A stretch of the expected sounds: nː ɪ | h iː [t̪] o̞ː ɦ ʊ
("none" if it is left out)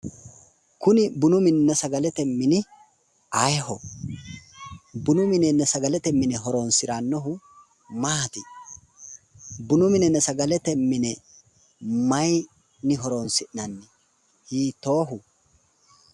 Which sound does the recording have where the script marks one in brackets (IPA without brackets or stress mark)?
t̪